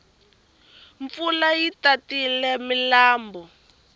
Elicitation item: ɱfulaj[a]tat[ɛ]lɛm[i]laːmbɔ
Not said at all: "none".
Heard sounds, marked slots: i, i, i

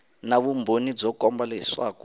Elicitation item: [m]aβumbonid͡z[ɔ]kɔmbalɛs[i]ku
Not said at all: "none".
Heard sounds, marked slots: n, ɔ, a

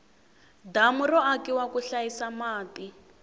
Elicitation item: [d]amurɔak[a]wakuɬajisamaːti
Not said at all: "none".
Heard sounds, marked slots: d, i

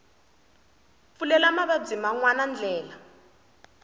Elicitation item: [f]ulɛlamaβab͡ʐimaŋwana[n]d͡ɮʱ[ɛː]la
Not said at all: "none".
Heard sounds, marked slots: f, n, ɛː

